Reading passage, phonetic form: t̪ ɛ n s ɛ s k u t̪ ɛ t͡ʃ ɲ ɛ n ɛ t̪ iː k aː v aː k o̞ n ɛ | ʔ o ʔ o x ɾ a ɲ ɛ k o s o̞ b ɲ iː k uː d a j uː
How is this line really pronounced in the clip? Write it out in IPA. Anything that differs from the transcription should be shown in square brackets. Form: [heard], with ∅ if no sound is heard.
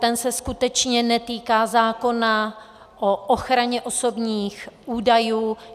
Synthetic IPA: t̪ ɛ n s ɛ s k u t̪ ɛ t͡ʃ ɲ ɛ n ɛ t̪ iː k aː [z] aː k o̞ n [a] | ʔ o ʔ o x ɾ a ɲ ɛ [ʔ] o s o̞ b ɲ iː [x] uː d a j uː